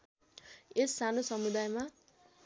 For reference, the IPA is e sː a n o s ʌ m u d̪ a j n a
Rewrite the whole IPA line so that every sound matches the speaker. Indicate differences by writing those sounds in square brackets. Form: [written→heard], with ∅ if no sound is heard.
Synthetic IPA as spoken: e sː a n o s ʌ m u d̪ a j [n→m] a